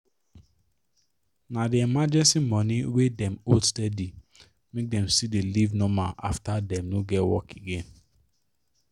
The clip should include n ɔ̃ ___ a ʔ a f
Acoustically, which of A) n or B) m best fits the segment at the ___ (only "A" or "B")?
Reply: B